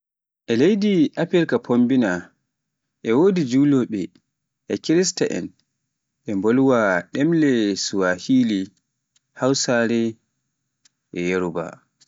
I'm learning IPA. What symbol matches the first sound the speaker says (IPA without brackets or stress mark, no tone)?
ʔ